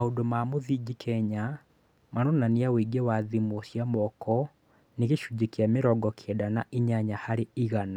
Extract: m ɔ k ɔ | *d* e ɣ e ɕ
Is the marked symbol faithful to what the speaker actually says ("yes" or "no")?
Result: no